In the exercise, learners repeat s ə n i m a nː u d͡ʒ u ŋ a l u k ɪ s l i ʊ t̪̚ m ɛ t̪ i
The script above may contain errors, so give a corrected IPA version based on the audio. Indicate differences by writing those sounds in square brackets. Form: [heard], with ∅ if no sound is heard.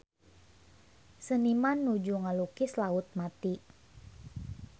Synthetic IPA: s ə n i m a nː u d͡ʒ u ŋ a l u k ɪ s l [a] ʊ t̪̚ m [a] t̪ i